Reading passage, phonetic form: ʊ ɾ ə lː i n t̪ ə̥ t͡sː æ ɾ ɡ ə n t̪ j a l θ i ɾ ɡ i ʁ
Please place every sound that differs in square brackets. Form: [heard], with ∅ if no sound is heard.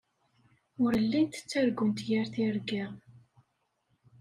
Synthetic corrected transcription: ʊ ɾ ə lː i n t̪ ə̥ t͡sː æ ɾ ɡ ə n t̪ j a [ɾ] θ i ɾ ɡ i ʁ